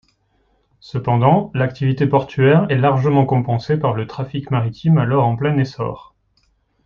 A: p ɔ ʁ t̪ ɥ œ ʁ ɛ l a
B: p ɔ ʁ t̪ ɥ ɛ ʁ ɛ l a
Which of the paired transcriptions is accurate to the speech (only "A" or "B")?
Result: B